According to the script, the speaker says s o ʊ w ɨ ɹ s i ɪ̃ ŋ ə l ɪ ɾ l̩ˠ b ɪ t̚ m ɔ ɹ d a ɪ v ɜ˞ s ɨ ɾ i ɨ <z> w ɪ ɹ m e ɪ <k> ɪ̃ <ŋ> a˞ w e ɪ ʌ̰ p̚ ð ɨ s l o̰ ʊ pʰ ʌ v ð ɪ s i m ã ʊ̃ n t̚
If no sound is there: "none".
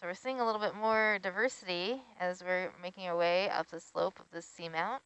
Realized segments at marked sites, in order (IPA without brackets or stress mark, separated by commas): z, k, ŋ